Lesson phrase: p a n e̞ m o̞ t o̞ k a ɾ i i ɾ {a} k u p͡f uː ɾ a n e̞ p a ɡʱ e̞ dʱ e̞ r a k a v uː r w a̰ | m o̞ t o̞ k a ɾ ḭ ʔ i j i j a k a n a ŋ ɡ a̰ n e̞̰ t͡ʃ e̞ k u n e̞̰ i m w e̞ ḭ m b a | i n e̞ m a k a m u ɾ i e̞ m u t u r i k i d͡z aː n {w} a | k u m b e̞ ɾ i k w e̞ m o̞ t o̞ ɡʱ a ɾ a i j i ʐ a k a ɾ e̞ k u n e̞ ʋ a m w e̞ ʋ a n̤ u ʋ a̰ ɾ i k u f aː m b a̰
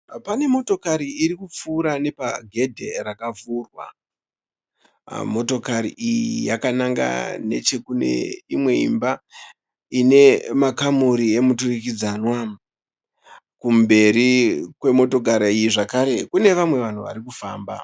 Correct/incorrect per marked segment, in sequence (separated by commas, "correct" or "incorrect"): incorrect, correct